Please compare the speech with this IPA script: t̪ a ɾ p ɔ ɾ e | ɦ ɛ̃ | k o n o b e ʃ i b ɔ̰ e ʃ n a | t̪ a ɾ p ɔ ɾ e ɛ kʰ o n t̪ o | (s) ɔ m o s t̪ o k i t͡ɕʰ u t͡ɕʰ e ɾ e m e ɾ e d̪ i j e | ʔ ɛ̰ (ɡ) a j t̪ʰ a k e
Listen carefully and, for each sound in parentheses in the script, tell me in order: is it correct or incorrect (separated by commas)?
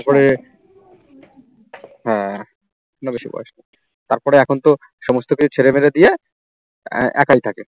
incorrect, incorrect